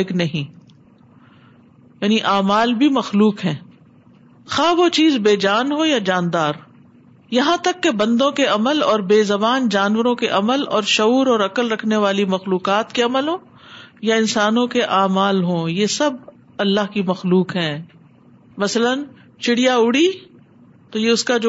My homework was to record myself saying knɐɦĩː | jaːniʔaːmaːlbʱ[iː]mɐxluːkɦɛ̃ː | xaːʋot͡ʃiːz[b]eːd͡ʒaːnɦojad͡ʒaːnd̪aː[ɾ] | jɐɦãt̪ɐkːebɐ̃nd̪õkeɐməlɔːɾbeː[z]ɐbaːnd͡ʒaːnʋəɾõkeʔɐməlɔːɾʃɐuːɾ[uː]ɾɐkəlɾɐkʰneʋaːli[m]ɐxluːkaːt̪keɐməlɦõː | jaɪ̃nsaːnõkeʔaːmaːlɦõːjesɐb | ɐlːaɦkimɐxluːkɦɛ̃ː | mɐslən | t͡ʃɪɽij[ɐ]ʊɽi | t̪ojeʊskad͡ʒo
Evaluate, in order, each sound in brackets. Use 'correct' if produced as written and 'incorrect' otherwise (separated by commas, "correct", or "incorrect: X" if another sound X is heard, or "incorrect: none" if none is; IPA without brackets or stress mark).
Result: incorrect: i, correct, correct, correct, incorrect: ɔː, correct, incorrect: a